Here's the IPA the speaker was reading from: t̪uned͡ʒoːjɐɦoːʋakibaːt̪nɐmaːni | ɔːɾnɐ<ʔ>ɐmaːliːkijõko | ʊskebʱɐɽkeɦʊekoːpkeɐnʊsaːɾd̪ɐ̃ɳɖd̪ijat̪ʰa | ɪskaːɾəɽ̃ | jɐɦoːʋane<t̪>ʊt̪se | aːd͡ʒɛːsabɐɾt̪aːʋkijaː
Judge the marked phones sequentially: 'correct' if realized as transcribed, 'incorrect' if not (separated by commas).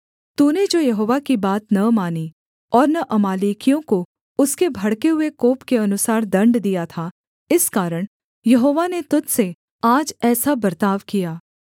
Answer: correct, correct